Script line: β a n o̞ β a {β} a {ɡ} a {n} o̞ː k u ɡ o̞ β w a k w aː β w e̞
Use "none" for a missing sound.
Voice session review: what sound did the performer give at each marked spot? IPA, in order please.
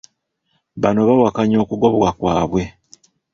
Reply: w, k, ɲ

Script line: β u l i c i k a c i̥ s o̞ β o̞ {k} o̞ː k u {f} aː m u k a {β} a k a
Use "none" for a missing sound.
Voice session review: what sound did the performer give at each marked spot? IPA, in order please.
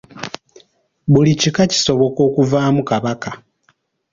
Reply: k, v, β

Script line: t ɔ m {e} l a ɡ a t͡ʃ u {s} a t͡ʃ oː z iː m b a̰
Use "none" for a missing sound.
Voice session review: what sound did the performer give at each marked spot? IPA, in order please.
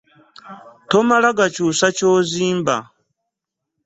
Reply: a, s

